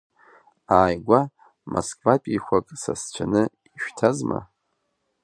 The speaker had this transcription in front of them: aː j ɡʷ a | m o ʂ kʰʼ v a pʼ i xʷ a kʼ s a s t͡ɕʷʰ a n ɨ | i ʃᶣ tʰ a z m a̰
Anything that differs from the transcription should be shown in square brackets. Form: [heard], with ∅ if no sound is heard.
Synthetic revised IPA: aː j ɡʷ a | m o [s] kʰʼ v a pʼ i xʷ a kʼ s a s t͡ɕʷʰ a n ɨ | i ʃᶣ tʰ a z m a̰